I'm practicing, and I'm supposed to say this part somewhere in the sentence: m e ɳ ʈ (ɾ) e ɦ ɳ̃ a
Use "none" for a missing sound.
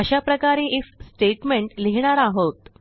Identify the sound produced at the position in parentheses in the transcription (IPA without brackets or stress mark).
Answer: l